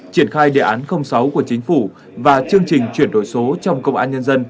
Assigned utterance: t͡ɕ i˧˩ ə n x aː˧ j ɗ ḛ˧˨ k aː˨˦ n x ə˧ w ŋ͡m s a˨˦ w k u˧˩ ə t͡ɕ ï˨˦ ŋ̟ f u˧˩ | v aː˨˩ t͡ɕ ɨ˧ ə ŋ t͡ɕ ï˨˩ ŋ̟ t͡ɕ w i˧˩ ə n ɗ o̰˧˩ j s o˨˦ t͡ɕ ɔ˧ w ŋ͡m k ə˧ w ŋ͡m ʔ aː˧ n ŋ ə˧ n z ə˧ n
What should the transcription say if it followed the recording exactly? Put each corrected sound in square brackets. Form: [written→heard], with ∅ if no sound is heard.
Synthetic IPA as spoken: t͡ɕ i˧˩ ə n x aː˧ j ɗ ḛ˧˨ [k→ʔ] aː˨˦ n x ə˧ w ŋ͡m s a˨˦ w k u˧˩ ə t͡ɕ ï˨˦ ŋ̟ f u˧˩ | v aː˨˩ t͡ɕ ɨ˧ ə ŋ t͡ɕ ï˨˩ ŋ̟ t͡ɕ w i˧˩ ə n ɗ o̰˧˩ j s o˨˦ t͡ɕ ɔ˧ w ŋ͡m k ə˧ w ŋ͡m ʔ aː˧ n [ŋ→ɲ] ə˧ n z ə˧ n